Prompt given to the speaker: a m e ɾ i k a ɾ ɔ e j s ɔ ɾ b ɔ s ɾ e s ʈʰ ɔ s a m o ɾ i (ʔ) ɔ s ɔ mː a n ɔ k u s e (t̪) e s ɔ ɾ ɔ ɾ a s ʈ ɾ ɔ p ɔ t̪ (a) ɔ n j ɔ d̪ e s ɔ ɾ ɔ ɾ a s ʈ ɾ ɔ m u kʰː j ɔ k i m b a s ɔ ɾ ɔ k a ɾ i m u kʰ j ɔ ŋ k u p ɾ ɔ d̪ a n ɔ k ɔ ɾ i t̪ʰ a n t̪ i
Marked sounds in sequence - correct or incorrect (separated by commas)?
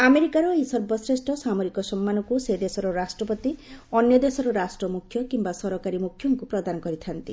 incorrect, incorrect, incorrect